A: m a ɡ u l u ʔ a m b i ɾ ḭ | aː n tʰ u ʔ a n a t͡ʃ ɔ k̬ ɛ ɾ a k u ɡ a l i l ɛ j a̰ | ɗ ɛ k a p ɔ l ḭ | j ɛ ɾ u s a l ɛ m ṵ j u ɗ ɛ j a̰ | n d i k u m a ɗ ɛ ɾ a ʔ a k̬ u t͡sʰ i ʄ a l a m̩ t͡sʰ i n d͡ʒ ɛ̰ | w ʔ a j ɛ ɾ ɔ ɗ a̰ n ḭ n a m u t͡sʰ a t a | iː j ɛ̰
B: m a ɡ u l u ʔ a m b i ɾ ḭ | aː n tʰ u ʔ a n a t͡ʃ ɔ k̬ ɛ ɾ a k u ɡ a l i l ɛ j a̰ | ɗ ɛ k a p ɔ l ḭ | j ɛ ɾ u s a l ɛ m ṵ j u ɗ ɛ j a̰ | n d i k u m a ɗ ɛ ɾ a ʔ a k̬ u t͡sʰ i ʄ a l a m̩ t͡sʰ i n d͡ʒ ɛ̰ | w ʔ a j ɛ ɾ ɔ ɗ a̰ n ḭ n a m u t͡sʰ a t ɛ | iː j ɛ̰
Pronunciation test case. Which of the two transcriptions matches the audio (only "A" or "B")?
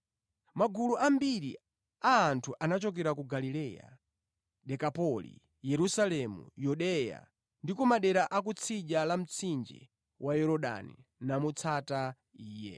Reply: A